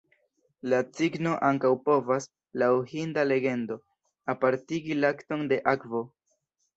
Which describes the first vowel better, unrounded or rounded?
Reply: unrounded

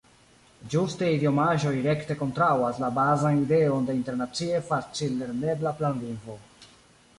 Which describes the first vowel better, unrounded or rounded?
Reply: rounded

